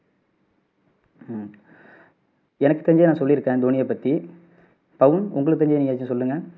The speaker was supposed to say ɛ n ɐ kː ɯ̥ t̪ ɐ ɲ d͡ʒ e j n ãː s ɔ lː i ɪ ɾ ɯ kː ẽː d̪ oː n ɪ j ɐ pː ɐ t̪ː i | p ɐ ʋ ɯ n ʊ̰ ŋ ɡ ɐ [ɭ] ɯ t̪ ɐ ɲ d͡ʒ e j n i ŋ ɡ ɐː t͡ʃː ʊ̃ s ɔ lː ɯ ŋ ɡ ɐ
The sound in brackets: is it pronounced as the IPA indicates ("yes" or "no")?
yes